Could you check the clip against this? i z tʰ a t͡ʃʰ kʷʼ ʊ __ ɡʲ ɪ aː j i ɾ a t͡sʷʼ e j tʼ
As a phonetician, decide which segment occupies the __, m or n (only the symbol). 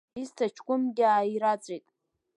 m